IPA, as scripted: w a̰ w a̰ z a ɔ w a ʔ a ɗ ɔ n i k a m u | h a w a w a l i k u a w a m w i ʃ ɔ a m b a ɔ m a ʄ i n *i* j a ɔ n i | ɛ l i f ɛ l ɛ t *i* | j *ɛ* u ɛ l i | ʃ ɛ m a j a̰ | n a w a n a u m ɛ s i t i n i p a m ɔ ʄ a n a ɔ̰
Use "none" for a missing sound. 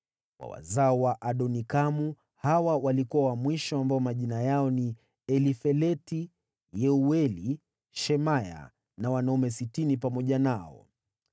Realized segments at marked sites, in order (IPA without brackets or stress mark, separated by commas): a, i, ɛ